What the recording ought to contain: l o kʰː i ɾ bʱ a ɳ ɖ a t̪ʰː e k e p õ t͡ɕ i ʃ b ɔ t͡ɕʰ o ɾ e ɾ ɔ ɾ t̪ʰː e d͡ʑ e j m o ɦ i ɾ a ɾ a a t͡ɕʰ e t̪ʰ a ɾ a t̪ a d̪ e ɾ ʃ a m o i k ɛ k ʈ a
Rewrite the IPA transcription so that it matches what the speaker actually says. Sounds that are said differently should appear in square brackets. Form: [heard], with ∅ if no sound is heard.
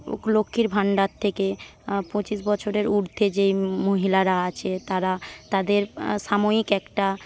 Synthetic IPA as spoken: l o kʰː i ɾ bʱ a ɳ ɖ a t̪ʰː e k e p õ t͡ɕ i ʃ b ɔ t͡ɕʰ o ɾ e ɾ [u] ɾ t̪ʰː e d͡ʑ e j m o ɦ i [l] a ɾ a a t͡ɕʰ e [t̪] a ɾ a t̪ a d̪ e ɾ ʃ a m o i k ɛ k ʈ a